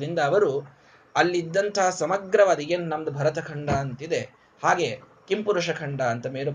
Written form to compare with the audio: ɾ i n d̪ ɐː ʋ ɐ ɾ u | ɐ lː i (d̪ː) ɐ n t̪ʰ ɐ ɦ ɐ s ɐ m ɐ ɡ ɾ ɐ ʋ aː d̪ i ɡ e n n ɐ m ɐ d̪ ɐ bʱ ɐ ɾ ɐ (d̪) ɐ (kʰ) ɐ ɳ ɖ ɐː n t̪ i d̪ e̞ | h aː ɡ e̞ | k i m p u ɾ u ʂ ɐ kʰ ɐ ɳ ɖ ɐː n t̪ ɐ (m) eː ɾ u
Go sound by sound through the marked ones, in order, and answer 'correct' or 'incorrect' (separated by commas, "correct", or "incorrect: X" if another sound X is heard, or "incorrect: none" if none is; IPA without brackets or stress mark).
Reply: correct, incorrect: t̪, correct, correct